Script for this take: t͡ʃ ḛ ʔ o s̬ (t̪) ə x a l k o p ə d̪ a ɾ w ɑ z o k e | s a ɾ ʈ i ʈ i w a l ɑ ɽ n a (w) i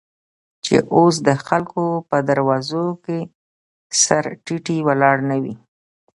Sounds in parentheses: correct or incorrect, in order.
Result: incorrect: d̪, correct

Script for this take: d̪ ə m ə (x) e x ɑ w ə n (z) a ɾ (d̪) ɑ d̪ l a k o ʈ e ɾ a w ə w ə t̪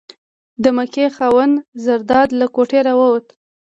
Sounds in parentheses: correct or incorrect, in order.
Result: incorrect: k, correct, correct

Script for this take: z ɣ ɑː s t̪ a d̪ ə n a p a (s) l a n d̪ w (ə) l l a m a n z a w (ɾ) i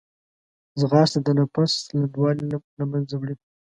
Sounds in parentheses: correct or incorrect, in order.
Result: correct, incorrect: ɑ, incorrect: ɽ

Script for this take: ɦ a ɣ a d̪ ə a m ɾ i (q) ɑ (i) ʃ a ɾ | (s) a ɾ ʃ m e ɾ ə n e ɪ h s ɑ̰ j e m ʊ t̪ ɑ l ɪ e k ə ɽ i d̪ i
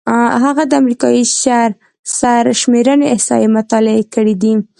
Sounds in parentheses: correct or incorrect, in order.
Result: incorrect: k, correct, correct

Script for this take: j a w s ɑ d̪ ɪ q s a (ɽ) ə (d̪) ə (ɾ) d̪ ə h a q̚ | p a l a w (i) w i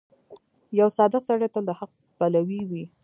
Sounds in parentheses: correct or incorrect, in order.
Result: correct, incorrect: t̪, incorrect: l, correct

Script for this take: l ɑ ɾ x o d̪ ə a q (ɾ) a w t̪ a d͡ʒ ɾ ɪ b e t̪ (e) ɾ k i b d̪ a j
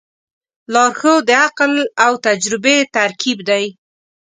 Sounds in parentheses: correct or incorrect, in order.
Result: incorrect: l, incorrect: a

